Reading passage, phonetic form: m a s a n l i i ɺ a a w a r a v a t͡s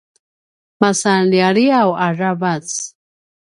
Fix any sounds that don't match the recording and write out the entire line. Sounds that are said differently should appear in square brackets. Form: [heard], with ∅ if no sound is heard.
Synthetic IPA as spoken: m a s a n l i [a] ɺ [i] a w a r a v a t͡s